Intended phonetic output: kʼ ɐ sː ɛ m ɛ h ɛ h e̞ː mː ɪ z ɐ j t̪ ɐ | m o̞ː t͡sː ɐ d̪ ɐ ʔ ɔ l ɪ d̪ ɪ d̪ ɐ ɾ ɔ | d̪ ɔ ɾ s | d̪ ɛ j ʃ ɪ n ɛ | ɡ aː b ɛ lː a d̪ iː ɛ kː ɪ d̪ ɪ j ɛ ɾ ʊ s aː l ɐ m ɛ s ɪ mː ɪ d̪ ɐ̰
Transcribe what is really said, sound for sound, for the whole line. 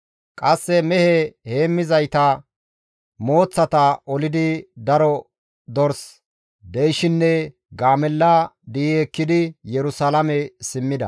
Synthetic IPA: kʼ ɐ sː ɛ m ɛ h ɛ h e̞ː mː ɪ z ɐ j t̪ ɐ | m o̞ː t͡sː ɐ t̪ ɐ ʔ ɔ l ɪ d̪ ɪ d̪ ɐ ɾ ɔ | d̪ ɔ ɾ s | d̪ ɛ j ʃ ɪ nː ɛ | ɡ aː m ɛ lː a d̪ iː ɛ kː ɪ d̪ ɪ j ɛ ɾ ʊ s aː l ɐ m ɛ s ɪ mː ɪ d̪ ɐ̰